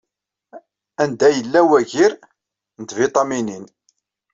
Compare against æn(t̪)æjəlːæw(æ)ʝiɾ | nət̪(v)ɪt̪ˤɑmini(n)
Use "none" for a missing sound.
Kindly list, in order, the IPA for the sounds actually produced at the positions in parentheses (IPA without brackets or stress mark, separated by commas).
d̪, æ, v, n